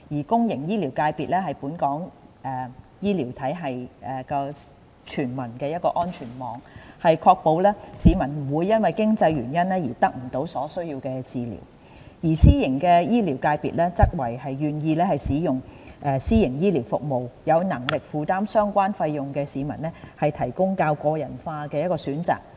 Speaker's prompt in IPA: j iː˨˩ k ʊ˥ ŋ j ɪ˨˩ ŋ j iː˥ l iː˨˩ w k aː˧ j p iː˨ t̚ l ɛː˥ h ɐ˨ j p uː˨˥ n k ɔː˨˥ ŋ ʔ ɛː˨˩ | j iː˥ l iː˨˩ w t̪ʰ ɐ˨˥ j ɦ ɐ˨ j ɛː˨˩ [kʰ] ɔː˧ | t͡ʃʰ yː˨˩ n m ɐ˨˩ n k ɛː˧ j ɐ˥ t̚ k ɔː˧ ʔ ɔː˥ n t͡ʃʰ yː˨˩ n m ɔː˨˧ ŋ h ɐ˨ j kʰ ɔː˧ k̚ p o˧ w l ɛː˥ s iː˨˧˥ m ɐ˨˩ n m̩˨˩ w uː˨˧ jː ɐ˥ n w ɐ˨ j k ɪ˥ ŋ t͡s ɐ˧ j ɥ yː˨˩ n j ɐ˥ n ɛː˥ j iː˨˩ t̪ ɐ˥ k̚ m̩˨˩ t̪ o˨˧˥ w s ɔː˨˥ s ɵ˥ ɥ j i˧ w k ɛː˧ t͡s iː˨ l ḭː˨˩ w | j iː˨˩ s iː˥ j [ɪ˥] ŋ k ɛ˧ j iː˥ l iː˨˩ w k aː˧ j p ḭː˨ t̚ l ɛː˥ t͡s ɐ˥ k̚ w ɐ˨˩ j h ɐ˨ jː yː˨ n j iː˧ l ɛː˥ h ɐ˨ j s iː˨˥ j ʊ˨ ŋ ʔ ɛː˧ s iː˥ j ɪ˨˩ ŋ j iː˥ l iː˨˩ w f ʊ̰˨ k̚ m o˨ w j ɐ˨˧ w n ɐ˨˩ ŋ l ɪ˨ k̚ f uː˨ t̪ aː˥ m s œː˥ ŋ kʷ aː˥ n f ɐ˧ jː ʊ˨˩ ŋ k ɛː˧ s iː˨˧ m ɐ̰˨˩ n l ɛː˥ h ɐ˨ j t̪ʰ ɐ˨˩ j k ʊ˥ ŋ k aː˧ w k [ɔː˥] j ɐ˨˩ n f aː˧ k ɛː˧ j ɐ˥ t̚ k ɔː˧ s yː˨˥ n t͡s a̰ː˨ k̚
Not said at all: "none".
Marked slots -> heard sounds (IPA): k, ɪ˨˩, ɔː˧

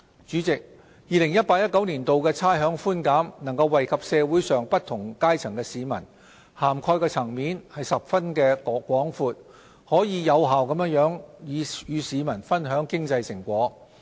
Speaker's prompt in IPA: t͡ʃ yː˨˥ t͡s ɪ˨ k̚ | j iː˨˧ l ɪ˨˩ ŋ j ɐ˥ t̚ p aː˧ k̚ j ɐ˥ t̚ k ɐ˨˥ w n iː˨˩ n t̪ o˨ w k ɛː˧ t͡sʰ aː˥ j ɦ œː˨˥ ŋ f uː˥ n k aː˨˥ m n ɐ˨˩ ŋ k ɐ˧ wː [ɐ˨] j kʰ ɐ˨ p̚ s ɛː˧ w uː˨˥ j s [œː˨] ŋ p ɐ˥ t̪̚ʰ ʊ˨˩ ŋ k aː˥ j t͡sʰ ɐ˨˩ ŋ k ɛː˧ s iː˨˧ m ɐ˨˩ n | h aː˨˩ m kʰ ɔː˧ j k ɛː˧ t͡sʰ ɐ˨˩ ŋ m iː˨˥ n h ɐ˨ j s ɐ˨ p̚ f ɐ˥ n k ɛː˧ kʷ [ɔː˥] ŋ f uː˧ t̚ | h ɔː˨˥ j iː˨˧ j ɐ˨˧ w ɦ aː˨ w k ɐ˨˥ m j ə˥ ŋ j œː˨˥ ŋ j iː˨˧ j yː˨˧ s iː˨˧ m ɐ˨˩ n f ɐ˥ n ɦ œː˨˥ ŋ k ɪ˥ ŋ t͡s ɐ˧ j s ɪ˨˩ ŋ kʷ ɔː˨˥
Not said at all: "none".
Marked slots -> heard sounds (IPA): ɐ˨, œː˨, ɔː˨˥

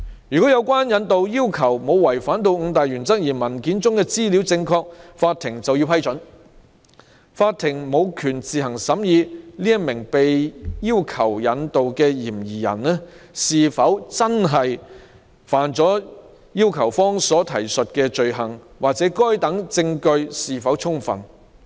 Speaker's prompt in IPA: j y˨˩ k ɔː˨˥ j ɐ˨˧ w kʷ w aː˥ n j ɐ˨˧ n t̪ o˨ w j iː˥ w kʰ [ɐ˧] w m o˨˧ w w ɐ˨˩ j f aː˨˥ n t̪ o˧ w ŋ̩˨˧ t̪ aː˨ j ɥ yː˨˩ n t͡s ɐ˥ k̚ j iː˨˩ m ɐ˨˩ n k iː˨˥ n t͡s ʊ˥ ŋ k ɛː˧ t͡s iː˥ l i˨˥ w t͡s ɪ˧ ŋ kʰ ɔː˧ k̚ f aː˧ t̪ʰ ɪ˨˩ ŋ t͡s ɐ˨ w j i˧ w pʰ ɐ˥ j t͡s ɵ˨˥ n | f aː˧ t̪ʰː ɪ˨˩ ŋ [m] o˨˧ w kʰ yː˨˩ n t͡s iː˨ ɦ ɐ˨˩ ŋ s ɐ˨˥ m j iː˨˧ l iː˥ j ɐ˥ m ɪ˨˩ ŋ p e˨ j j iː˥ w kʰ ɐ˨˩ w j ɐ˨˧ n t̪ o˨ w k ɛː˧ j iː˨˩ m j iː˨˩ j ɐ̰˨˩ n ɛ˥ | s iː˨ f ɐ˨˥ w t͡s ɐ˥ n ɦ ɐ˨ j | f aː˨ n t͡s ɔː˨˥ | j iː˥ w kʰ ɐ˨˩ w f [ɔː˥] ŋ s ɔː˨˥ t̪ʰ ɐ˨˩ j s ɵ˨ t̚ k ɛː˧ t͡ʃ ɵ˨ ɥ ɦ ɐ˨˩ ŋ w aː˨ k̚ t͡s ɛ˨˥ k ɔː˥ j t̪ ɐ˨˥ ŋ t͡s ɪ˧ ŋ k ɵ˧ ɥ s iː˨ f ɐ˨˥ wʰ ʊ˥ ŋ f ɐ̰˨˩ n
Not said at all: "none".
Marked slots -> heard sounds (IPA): ɐ˨˩, m, ɔː˥

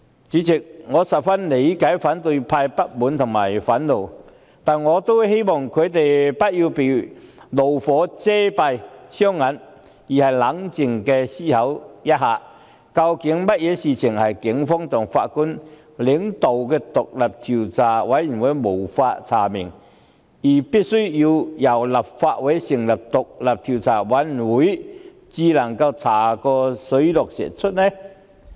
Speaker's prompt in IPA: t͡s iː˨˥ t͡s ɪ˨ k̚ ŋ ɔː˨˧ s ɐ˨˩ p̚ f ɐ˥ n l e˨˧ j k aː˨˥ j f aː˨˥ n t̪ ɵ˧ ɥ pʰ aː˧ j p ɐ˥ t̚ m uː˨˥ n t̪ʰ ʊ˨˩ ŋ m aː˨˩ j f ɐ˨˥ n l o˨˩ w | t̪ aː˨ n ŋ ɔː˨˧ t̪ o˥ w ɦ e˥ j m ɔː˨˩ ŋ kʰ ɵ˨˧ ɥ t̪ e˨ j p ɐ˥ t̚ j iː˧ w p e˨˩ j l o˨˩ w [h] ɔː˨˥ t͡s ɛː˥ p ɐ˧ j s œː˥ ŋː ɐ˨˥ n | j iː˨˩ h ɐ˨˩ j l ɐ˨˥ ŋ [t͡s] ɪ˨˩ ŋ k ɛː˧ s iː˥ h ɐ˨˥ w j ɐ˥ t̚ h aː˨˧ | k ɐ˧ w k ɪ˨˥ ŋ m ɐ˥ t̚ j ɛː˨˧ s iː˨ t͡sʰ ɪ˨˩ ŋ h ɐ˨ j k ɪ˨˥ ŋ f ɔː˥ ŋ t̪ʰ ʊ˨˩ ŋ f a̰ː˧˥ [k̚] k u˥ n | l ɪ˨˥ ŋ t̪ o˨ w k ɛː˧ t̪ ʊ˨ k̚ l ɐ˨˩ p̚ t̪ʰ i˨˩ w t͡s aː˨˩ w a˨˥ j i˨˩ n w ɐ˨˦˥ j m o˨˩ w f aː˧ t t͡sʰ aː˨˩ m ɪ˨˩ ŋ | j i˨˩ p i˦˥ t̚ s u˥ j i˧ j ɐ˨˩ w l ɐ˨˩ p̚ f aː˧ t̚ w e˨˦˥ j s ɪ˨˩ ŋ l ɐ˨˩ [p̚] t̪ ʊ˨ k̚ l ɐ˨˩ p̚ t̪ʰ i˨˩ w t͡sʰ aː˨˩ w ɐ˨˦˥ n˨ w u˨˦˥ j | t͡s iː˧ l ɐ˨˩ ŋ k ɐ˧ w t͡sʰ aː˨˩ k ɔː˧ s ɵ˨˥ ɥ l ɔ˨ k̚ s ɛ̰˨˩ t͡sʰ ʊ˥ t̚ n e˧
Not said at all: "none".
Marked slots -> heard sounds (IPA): f, t͡s, t̚, p̚

